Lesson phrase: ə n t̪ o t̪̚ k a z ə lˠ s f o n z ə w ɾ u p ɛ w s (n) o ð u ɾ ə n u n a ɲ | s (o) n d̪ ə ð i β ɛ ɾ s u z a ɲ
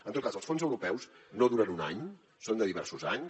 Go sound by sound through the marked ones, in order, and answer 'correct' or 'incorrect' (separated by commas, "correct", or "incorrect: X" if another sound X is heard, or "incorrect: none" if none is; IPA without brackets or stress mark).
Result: correct, correct